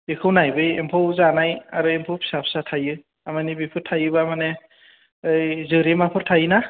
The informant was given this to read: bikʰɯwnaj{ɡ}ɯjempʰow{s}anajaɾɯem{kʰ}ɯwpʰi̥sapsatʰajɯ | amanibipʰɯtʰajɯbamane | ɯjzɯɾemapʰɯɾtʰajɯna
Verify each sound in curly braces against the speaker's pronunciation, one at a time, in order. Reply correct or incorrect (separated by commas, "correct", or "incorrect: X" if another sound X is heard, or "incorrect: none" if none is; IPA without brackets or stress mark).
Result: incorrect: b, incorrect: z, incorrect: pʰ